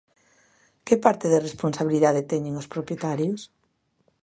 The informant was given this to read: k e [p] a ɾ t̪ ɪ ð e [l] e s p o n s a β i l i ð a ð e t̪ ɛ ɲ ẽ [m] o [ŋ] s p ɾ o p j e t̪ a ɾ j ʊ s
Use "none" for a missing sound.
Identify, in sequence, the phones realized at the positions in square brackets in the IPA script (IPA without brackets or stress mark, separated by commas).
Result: p, r, ŋ, none